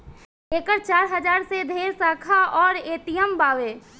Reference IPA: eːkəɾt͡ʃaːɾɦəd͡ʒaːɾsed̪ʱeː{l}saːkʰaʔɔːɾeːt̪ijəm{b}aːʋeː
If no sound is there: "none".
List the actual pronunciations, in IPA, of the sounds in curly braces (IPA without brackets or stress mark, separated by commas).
ɾ, b